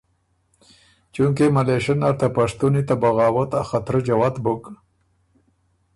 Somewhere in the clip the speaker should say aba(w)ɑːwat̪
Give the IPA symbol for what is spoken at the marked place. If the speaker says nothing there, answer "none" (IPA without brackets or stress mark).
ɣ